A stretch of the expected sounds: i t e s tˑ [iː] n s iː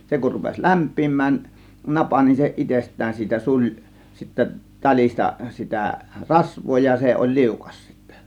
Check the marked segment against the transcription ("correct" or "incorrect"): incorrect